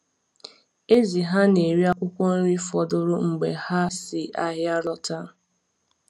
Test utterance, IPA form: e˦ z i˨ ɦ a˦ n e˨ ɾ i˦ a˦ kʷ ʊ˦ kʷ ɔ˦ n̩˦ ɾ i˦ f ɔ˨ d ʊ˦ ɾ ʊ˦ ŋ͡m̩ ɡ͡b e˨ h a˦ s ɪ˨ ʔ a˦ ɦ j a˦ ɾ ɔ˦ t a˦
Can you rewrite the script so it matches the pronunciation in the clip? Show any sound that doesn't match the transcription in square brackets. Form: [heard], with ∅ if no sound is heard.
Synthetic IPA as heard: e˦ z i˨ ɦ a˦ n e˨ ɾ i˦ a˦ kʷ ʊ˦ kʷ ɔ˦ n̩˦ ɾ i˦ f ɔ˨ d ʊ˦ ɾ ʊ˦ ŋ͡m̩ ɡ͡b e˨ h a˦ s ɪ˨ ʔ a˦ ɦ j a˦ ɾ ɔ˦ t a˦